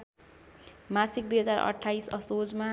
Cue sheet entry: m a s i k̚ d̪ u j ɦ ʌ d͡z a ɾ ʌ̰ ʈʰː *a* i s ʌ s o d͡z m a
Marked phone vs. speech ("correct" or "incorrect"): correct